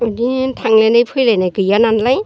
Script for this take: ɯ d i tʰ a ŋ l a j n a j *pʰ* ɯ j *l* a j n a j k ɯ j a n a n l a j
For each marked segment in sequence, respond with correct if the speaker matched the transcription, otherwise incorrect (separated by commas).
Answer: correct, correct